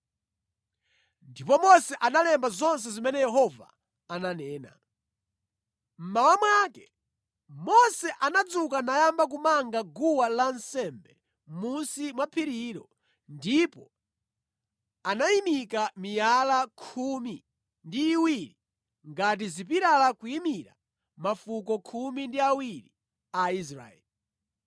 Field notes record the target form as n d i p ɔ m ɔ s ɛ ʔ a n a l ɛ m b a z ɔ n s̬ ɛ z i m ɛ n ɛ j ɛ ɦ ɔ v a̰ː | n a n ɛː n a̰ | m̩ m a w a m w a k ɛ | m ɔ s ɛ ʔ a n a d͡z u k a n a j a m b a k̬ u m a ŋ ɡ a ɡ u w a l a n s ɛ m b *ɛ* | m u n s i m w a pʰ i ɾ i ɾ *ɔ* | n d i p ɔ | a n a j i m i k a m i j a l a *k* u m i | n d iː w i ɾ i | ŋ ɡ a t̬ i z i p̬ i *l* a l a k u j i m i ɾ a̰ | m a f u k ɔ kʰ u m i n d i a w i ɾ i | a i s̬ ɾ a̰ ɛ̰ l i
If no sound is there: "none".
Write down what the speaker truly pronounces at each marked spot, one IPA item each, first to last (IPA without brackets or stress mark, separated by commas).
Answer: ɛ, ɔ, kʰ, ɾ